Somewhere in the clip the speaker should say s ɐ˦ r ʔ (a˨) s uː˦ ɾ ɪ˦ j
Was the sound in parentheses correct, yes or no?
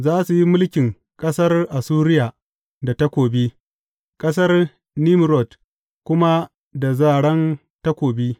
yes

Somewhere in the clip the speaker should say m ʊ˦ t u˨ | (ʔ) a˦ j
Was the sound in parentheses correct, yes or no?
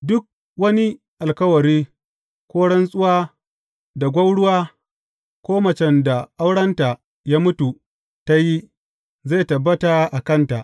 no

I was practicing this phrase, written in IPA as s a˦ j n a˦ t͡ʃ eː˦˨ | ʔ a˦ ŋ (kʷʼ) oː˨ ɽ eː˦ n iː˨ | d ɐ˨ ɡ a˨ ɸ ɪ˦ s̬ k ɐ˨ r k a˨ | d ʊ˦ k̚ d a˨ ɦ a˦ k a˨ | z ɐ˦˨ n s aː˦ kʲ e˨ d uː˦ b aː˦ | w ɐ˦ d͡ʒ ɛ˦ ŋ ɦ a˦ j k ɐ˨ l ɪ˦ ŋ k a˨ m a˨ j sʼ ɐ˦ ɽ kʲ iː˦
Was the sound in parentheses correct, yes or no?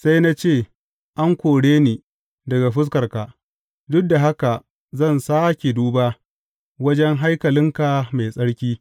no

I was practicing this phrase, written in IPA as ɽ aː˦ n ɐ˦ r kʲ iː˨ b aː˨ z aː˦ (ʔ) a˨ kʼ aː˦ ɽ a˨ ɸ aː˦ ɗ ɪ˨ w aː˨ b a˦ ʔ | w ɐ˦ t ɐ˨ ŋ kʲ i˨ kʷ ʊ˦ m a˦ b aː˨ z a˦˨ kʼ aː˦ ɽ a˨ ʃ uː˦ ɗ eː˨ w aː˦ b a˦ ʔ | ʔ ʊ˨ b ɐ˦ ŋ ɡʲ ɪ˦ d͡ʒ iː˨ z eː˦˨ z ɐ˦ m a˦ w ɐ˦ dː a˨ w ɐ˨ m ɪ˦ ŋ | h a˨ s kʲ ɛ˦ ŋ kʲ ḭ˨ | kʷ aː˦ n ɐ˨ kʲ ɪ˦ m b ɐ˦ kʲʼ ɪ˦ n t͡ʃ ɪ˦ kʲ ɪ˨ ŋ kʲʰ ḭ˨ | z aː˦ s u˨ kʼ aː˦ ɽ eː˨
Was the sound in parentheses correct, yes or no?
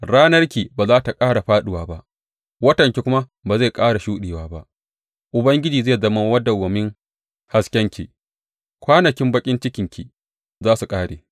no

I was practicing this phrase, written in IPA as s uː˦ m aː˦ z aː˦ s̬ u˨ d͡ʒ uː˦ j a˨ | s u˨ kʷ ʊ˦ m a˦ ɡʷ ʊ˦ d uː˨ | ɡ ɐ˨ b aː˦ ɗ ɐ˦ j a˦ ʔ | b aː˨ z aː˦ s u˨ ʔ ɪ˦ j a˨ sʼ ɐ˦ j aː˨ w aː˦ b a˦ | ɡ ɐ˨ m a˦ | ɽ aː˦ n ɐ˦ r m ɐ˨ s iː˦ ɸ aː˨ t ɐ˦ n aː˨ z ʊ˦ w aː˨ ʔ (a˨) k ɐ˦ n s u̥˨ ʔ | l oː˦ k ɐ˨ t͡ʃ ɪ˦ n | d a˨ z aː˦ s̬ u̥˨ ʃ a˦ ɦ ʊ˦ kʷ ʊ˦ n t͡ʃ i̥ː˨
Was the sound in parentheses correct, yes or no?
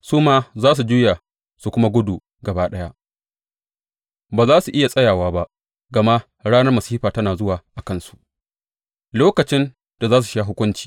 yes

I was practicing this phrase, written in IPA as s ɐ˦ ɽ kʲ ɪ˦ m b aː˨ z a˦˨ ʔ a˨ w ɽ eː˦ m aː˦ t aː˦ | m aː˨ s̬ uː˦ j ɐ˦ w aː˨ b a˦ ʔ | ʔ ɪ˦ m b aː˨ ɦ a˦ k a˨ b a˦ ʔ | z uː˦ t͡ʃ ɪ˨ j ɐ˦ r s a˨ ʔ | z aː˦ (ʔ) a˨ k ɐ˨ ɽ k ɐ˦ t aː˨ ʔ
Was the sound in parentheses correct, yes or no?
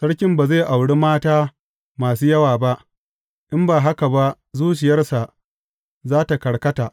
no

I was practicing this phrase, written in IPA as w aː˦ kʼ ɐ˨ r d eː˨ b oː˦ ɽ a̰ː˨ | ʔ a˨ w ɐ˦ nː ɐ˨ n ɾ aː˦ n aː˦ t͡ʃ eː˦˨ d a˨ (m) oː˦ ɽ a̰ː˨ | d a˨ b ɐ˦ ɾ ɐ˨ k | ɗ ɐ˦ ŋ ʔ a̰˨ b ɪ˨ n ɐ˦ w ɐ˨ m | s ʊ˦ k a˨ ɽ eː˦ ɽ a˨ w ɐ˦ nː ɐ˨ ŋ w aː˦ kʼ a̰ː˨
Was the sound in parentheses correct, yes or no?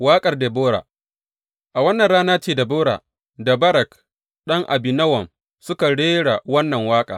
no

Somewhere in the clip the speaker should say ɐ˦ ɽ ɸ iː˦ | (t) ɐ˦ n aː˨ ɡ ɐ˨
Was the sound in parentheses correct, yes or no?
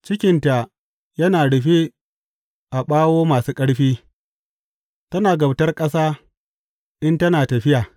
yes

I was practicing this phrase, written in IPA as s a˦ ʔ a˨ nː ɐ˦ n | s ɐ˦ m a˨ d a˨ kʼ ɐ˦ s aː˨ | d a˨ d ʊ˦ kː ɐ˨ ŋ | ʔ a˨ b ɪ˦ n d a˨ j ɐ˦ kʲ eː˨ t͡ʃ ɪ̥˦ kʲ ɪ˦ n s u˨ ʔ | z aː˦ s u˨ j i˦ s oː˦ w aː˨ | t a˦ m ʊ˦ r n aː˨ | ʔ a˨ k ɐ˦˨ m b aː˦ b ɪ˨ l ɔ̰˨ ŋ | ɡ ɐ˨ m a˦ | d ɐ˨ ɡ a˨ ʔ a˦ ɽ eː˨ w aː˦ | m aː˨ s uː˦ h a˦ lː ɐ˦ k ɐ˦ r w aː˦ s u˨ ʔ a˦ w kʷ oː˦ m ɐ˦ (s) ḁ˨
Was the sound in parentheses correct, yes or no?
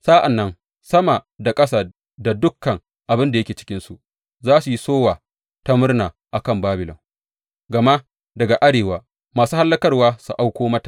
no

